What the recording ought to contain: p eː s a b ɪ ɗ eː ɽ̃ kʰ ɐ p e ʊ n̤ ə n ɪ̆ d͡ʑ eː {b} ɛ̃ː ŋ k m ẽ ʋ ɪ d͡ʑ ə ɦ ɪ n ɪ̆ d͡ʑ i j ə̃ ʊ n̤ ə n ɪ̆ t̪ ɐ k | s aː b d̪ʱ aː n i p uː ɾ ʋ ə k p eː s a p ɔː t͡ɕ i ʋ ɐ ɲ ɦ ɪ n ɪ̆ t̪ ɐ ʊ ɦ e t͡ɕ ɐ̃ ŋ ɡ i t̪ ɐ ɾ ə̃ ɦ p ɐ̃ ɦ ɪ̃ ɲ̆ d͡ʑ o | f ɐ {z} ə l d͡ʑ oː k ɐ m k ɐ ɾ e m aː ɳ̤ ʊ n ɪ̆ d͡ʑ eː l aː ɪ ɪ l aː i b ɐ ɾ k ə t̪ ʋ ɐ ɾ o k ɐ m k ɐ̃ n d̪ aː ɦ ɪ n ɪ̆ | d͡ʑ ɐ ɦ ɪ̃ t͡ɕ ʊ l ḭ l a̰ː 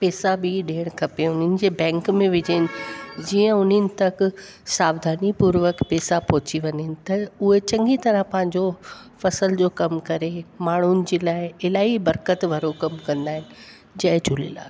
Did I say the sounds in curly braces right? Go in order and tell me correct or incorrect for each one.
correct, incorrect

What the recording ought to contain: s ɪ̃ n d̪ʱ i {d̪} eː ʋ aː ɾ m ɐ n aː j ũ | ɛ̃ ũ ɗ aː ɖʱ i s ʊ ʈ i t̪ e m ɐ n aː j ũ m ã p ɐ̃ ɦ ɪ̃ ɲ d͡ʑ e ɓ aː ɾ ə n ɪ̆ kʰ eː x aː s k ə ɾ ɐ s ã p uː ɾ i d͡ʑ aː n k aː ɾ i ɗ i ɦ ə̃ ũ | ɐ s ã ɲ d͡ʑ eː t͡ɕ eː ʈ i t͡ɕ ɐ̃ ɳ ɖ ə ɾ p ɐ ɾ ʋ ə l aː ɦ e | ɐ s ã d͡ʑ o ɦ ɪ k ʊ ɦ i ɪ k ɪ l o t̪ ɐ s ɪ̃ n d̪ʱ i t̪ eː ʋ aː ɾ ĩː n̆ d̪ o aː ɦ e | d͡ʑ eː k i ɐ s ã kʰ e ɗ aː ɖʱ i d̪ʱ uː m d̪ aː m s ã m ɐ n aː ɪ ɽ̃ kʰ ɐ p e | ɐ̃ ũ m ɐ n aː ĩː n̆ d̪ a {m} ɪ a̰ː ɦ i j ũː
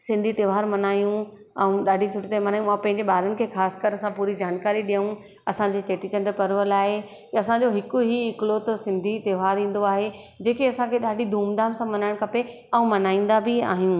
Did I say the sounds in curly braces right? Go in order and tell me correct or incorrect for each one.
incorrect, incorrect

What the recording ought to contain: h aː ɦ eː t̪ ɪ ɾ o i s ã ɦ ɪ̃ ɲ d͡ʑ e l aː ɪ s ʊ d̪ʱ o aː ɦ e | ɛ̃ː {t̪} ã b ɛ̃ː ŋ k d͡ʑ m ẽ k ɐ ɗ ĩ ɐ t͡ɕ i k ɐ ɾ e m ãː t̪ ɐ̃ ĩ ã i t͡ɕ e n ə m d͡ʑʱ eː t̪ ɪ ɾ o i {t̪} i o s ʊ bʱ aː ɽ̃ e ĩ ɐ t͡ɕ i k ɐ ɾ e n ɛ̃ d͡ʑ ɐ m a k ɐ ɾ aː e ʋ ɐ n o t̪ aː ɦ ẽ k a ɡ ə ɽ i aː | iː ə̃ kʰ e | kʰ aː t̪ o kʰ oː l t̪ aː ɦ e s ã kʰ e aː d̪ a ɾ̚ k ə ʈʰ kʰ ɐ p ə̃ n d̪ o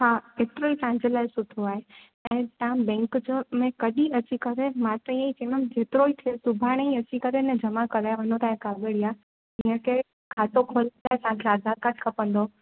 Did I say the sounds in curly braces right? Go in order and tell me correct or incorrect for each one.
correct, incorrect

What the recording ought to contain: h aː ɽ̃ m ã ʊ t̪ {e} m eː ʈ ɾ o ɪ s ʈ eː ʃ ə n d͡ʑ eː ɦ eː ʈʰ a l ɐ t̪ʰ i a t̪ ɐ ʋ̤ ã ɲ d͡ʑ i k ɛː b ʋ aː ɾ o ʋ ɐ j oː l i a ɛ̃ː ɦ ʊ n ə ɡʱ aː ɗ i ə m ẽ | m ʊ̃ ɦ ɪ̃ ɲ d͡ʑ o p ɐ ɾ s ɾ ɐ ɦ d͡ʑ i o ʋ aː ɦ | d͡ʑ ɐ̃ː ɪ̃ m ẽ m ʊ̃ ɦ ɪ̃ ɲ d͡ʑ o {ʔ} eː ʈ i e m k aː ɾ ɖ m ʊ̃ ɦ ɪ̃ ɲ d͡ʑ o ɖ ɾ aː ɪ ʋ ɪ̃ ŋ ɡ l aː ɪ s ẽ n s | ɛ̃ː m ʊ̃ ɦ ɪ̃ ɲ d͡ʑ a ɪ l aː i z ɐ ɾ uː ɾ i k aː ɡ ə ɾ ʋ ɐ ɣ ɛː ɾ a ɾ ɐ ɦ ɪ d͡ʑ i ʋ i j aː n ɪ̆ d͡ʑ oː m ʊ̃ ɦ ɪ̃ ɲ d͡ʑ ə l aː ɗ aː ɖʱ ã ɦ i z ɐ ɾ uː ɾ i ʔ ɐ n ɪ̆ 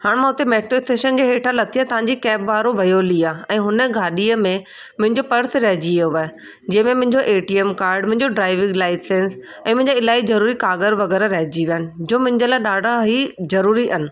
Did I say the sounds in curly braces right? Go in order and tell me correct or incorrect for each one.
correct, correct

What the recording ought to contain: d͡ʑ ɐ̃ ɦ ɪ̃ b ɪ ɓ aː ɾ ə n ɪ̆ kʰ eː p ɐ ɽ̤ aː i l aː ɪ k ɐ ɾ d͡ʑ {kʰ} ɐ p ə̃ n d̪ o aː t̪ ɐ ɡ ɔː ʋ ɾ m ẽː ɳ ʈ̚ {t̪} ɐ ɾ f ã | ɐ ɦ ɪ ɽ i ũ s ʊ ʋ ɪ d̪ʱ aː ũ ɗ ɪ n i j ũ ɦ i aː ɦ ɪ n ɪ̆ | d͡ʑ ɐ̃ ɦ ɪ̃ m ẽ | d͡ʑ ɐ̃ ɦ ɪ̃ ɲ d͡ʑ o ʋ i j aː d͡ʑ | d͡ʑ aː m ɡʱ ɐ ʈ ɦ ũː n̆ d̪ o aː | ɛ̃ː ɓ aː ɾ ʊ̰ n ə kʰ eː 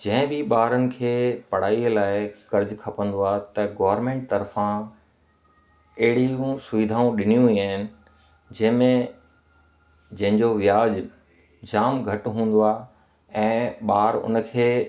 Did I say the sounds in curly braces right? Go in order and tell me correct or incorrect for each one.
correct, correct

